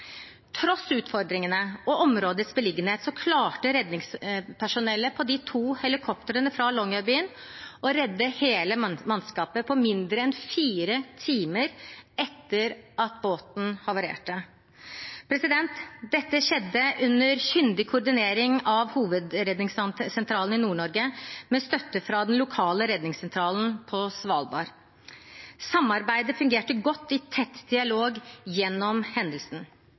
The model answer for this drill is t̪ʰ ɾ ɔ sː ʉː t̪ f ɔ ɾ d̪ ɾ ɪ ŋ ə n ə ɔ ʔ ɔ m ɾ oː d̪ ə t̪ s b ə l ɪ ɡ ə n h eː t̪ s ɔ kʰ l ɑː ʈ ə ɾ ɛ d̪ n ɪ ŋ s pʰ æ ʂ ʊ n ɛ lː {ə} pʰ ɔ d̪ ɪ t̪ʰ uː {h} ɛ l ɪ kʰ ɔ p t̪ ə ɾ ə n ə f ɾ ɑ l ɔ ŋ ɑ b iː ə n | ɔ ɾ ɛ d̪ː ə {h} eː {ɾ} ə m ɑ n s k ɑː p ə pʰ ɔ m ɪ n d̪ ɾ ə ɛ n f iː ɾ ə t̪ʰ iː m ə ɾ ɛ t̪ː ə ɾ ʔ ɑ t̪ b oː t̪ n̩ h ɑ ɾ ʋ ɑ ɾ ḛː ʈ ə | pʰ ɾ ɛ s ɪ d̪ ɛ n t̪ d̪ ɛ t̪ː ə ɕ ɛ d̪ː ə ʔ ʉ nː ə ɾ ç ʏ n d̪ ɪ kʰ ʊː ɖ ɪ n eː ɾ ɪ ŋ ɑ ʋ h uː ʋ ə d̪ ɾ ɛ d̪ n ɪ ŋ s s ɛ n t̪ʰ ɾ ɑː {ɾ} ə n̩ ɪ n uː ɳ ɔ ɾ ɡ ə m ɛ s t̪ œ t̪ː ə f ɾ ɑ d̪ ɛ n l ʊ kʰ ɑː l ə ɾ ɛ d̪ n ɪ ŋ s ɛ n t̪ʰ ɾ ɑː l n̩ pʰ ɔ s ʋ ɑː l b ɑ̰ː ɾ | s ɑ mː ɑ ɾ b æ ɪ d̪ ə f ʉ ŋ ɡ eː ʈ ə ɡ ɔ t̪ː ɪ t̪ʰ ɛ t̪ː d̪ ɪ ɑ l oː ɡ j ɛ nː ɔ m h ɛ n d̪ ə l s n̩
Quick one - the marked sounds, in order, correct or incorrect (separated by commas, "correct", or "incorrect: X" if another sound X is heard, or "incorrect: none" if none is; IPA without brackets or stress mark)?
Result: correct, correct, correct, incorrect: l, incorrect: l